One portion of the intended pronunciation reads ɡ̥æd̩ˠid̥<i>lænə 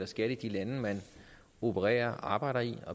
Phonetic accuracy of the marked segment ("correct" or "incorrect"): correct